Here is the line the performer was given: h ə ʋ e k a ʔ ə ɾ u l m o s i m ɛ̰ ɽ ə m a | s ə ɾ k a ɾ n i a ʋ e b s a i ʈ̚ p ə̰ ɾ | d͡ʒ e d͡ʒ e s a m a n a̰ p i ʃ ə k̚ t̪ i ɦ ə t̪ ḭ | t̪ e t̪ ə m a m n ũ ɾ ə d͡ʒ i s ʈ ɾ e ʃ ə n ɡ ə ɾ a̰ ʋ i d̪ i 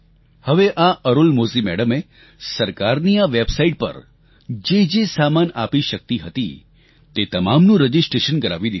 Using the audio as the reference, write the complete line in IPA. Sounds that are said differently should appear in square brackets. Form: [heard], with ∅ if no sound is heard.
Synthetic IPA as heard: h ə ʋ e [ʔ] a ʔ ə ɾ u l m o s i m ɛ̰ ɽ ə m [e] | s ə ɾ k a ɾ n i a ʋ e b s a i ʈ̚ p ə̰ ɾ | d͡ʒ e d͡ʒ e s a m a n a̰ p i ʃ ə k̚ t̪ i ɦ ə t̪ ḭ | t̪ e t̪ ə m a m n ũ ɾ ə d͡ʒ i s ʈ ɾ e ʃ ə n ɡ ə ɾ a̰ ʋ i d̪ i

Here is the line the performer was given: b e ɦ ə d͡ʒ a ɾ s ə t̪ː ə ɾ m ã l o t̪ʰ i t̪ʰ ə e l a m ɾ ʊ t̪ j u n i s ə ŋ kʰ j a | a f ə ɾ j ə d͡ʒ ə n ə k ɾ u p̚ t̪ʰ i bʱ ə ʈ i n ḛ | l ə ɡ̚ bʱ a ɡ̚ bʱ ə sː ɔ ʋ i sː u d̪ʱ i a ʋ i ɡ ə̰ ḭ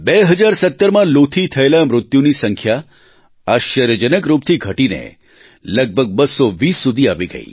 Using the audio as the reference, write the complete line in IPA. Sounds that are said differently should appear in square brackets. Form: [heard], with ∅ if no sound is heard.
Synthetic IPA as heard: b e ɦ ə d͡ʒ a ɾ s ə t̪ː ə ɾ m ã l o t̪ʰ i t̪ʰ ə e l a m ɾ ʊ t̪ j u n i s ə ŋ kʰ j a | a [ʃ] ə ɾ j ə d͡ʒ ə n ə k ɾ u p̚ t̪ʰ i [ɡʱ] ə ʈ i n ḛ | l ə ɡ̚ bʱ [ə] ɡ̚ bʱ ə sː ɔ ʋ i sː u d̪ʱ i a ʋ i ɡ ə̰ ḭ

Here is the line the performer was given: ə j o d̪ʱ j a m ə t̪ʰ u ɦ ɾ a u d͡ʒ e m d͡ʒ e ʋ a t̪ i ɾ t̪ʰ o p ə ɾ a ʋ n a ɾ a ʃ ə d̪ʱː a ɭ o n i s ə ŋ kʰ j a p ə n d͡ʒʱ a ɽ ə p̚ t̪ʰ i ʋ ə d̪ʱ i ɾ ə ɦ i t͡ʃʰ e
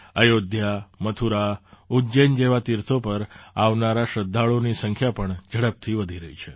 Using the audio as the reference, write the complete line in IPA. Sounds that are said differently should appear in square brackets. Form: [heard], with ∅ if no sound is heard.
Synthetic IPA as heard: ə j o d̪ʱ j a m ə t̪ʰ u [∅] ɾ a u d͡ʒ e [n] d͡ʒ e ʋ a t̪ i ɾ t̪ʰ o p ə ɾ a ʋ n a ɾ a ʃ ə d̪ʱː a ɭ o n i s ə ŋ kʰ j a p ə [ɳ] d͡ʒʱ [ə] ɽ ə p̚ t̪ʰ i ʋ ə d̪ʱ i ɾ ə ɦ i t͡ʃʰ e

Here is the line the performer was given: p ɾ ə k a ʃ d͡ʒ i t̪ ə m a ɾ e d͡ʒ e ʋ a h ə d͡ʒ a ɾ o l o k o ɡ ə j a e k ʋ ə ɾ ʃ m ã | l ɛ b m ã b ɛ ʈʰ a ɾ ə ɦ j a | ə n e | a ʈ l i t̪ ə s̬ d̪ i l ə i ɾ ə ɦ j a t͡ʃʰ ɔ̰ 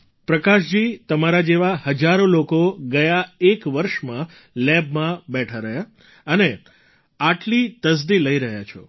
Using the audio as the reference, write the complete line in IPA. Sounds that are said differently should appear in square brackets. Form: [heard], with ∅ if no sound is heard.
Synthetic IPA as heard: p ɾ ə k a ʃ d͡ʒ i t̪ ə m a ɾ [a] d͡ʒ e ʋ a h ə d͡ʒ a ɾ o l o k o ɡ ə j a e k ʋ ə ɾ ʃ m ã | l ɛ b m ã b ɛ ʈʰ a ɾ ə ɦ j a | ə n e | a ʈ l i t̪ ə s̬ d̪ i l ə i ɾ ə ɦ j a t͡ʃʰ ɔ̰

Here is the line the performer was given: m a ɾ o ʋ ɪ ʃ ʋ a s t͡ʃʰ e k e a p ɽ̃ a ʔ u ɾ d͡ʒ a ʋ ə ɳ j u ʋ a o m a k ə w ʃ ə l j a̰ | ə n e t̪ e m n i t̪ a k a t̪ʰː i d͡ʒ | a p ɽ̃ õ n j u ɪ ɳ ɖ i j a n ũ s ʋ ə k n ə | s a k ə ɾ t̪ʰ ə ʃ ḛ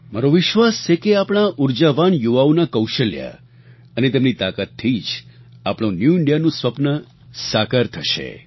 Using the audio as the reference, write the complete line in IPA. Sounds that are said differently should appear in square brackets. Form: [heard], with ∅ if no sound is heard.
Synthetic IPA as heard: m a ɾ o ʋ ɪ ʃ ʋ a s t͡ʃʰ e k e a p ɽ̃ a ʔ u ɾ d͡ʒ a ʋ [a] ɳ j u ʋ a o [n] a k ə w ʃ ə l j a̰ | ə n e t̪ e m n i t̪ a k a t̪ʰː i d͡ʒ | a p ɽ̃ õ n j u ɪ ɳ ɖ i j a n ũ s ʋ ə [p] n ə | s a k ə ɾ t̪ʰ ə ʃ ḛ

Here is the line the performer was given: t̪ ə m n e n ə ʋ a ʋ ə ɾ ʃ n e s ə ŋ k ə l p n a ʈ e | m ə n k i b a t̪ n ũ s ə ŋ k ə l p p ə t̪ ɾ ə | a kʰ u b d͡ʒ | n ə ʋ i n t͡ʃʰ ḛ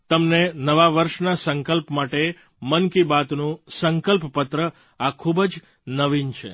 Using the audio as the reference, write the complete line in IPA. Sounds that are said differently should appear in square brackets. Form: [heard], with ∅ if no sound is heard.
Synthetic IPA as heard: t̪ ə m n e n ə ʋ a ʋ ə ɾ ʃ n [a] s ə ŋ k ə l p [m] a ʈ e | m ə n k i b a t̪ n ũ s ə ŋ k ə l p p ə t̪ ɾ ə | a kʰ u b d͡ʒ | n ə ʋ i n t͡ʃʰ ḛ

